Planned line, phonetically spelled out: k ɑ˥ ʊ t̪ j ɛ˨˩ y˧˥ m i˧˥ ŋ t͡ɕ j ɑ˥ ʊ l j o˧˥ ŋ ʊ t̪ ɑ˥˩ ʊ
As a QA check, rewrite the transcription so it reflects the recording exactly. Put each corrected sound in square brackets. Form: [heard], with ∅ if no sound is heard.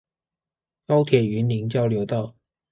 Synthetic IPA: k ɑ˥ ʊ [t̪ʰ] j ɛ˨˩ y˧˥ [n] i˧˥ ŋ t͡ɕ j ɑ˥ ʊ l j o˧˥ [∅] ʊ t̪ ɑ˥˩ ʊ